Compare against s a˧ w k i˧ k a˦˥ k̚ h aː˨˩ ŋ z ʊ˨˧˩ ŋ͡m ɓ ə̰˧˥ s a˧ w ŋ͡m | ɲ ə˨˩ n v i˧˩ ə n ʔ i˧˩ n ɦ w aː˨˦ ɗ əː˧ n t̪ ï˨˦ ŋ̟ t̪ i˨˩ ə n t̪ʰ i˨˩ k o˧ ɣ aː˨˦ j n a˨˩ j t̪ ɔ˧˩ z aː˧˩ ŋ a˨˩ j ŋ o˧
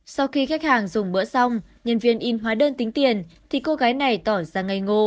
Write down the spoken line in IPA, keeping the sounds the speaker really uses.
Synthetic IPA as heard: s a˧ w x i˧ x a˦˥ k̚ h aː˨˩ ŋ z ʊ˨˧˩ ŋ͡m ɓ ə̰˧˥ s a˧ w ŋ͡m | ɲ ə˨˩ n v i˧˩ ə n ʔ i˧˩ n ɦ w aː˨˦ ɗ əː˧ n t̪ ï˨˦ ŋ̟ t̪ i˨˩ ə n t̪ʰ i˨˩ k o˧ ɣ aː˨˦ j n a˨˩ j t̪ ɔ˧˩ z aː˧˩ ŋ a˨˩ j ŋ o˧